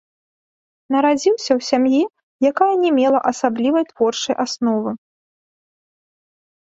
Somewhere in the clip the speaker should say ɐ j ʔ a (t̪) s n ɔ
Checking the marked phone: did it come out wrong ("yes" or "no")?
yes